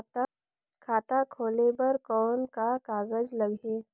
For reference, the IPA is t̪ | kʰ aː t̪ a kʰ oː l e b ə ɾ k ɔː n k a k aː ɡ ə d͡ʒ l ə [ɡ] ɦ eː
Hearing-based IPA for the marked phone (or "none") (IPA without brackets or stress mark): ɡ